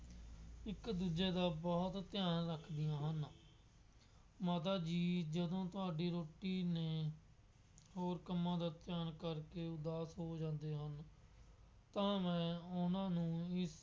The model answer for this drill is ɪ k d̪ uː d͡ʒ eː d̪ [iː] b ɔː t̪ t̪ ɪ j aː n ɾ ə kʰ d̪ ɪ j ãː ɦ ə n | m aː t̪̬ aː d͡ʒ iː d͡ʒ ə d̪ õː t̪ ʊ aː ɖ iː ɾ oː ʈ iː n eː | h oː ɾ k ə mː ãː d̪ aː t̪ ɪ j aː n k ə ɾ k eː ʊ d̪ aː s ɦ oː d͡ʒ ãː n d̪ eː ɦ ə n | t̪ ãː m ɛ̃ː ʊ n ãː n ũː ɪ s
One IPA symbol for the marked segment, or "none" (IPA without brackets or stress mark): aː